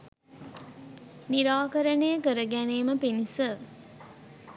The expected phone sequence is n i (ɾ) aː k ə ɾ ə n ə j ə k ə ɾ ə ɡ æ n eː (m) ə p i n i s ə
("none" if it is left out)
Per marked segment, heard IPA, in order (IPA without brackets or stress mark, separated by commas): ɾ, m